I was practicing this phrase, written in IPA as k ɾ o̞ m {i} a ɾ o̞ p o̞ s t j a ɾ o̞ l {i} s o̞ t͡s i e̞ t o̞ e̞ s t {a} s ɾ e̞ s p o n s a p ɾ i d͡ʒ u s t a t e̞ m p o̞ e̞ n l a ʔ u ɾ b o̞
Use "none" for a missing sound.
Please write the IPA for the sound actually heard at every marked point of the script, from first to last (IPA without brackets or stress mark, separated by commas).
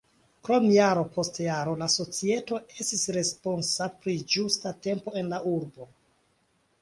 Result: j, a, i